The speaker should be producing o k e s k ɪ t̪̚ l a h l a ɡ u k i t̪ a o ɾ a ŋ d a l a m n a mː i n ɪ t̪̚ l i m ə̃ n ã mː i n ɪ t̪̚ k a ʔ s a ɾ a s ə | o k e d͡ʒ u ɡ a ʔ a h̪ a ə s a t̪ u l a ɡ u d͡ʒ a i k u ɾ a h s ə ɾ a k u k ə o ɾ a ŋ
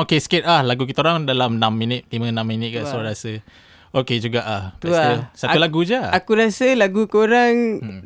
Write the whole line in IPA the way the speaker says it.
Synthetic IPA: o k e s k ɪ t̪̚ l a h l a ɡ u k i t̪ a o ɾ a ŋ d a l a m n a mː i n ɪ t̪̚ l i m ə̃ n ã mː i n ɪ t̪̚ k a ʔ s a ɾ a s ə | o k e d͡ʒ u ɡ a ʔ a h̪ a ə s a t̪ u l a ɡ u d͡ʒ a a k u ɾ a s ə l a ɡ u k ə o ɾ a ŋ